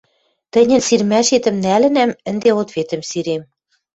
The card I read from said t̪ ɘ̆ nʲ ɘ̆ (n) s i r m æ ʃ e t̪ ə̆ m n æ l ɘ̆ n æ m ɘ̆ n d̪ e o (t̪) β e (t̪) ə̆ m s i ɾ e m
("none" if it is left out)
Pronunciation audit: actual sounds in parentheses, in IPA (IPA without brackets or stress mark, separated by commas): n, t̪, t̪